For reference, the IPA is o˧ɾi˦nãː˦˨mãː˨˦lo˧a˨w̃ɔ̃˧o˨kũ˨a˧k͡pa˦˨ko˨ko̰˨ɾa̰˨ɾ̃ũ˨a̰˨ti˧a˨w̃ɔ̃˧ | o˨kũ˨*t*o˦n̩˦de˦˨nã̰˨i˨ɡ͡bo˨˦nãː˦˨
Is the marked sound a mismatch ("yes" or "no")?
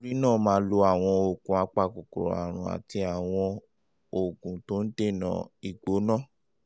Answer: no